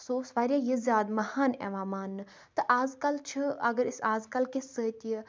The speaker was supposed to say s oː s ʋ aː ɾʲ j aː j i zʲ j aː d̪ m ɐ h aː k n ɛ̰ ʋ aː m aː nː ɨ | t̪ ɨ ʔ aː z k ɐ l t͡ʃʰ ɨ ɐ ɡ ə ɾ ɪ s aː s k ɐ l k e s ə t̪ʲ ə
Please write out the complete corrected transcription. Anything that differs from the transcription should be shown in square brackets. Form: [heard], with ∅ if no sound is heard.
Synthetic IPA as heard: s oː s ʋ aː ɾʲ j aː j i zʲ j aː d̪ m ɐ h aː [∅] n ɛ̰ ʋ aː m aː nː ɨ | t̪ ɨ ʔ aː z k ɐ l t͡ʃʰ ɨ ɐ ɡ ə ɾ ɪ s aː [z] k ɐ l k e s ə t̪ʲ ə